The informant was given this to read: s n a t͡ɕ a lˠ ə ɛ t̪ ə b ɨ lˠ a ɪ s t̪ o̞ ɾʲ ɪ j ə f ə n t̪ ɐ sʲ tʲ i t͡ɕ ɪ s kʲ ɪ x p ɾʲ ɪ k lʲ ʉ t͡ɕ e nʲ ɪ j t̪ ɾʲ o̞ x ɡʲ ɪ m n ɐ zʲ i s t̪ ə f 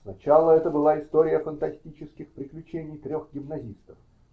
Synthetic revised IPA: s n ɐ t͡ɕ a lˠ ə ɛ t̪ ə b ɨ lˠ a ɪ s t̪ o̞ ɾʲ ɪ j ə f ə n t̪ ɐ sʲ tʲ i t͡ɕ ɪ s kʲ ɪ x p ɾʲ ɪ k lʲ ʉ t͡ɕ e nʲ ɪ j t̪ ɾʲ o̞ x ɡʲ ɪ m n ɐ zʲ i s t̪ ə f